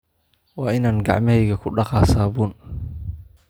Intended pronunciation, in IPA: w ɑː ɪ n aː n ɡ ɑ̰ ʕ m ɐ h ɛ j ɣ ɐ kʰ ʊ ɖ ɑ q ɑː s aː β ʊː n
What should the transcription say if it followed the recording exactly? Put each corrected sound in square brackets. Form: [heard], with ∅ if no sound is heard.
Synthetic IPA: w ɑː ɪ n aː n ɡ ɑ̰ ʕ m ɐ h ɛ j ɣ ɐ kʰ ʊ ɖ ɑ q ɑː s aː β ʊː n